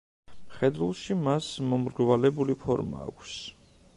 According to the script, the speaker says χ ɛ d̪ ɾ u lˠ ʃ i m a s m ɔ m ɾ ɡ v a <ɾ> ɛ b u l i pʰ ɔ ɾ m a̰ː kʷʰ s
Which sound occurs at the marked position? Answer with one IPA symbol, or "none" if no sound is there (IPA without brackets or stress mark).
l